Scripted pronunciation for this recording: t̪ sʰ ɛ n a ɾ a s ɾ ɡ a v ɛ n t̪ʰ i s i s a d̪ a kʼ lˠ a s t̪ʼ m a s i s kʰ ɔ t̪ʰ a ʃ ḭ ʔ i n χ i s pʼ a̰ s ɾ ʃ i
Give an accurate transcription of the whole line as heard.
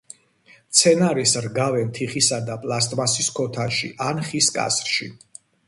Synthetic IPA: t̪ sʰ ɛ n a ɾ i s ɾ ɡ a v ɛ n t̪ʰ i χ i s a d̪ a pʼ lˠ a s t̪ʼ m a s i s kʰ ɔ t̪ʰ a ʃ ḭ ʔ a n χ i s kʼ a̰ s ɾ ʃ i